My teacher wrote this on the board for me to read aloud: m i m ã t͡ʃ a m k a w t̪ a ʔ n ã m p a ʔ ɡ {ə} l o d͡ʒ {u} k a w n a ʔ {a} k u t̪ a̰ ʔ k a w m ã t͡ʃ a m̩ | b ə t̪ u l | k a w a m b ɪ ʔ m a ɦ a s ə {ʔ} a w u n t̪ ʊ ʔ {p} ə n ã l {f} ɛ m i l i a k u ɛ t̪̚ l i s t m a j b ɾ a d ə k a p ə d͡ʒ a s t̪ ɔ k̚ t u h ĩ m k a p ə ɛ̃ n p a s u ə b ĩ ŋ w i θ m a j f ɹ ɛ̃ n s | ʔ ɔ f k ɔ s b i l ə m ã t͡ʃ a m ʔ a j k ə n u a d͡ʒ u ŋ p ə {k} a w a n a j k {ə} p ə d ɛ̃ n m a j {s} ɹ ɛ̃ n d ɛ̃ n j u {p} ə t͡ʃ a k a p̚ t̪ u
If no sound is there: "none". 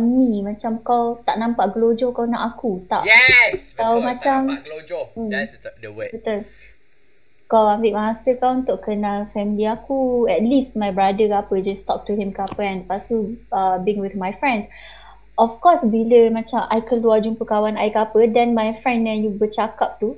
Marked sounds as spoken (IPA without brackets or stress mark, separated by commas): ə, ɔ, a, k, k, f, k, a, f, b